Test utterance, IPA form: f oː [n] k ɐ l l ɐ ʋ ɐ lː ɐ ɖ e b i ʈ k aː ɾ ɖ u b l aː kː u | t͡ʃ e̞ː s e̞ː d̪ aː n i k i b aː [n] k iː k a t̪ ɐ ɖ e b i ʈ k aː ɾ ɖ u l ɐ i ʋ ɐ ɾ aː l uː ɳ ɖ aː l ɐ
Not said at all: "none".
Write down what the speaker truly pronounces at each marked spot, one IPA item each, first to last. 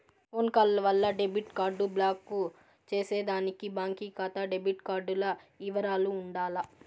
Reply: n, ŋ

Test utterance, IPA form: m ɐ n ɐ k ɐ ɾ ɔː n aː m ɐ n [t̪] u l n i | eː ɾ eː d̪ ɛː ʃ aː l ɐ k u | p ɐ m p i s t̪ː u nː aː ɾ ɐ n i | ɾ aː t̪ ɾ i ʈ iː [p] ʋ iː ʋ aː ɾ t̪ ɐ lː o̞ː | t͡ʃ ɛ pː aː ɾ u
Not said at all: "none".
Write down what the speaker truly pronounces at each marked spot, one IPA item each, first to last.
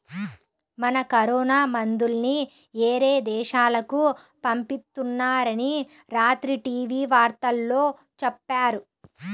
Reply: d̪, none

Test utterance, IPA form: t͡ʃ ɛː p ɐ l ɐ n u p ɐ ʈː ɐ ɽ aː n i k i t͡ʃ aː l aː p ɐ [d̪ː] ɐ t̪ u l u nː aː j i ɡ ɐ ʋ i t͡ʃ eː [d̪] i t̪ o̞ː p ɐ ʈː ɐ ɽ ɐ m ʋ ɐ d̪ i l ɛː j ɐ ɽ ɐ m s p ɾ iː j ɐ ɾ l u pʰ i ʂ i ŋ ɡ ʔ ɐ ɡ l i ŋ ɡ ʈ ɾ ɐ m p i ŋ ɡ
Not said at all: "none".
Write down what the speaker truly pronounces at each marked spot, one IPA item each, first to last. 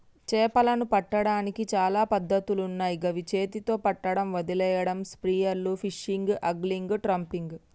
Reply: d̪ː, t̪

